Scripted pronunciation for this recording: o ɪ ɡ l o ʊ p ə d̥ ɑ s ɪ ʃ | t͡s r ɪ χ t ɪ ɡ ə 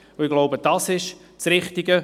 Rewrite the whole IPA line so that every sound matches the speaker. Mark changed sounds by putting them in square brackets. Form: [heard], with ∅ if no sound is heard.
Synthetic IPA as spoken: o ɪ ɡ l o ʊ [b] ə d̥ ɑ s ɪ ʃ | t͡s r ɪ χ t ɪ ɡ ə